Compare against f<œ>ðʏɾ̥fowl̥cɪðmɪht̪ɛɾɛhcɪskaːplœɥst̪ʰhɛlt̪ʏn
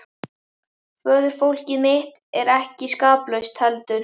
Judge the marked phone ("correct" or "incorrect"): incorrect